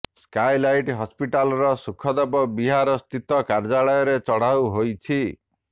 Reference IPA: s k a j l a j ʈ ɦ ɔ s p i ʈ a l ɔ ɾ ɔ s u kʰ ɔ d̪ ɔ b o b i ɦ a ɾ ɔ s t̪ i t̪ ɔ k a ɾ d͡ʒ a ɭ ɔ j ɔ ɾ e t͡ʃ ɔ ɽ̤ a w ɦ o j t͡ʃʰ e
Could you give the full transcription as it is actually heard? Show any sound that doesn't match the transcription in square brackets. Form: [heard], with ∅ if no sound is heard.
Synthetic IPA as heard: s k a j l a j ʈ ɦ ɔ s p i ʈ a l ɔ ɾ ɔ s u kʰ ɔ d̪ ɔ b [ɔ] b i ɦ a ɾ ɔ s t̪ i t̪ ɔ k a ɾ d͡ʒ a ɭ ɔ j ɔ ɾ e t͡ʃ ɔ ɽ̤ a w ɦ o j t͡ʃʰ [i]